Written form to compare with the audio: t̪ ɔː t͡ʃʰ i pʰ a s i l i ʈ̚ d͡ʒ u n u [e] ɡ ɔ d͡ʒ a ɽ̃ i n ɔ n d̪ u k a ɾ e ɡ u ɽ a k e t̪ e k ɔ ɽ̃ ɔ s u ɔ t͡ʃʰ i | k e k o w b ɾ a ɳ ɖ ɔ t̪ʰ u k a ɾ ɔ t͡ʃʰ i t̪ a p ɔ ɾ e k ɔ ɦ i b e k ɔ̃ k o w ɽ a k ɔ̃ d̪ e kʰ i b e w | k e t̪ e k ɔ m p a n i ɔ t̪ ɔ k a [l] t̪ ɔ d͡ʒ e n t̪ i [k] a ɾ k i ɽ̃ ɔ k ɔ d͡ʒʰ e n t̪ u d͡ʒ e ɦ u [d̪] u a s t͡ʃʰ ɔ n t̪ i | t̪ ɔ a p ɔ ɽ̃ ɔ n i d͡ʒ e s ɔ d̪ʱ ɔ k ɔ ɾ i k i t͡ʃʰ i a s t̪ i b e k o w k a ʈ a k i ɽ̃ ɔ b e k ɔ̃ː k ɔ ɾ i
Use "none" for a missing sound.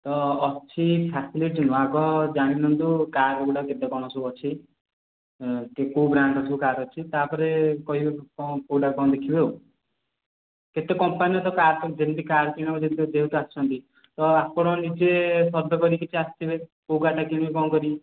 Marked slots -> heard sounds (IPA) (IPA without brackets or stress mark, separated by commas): a, ɾ, k, t̪